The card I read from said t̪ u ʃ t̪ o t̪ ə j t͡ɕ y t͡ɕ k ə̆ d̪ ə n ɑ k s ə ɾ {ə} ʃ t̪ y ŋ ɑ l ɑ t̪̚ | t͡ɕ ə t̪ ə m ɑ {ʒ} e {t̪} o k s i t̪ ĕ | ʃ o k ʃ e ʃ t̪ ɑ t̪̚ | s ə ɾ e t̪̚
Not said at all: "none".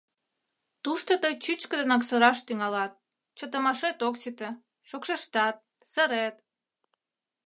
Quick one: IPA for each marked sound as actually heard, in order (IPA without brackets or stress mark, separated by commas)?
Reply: ɑ, ʃ, t̪